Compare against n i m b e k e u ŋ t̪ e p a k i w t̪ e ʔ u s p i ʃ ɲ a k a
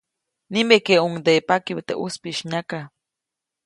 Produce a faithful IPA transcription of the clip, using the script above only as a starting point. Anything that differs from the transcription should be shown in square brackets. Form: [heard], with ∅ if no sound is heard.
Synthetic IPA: n i m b e k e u ŋ [d̪] e p a k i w t̪ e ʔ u s p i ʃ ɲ a k a